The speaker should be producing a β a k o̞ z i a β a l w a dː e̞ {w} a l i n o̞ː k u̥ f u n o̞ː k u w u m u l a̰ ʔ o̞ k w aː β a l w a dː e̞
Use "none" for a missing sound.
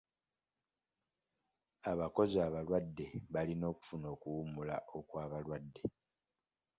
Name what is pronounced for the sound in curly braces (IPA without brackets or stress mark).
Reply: β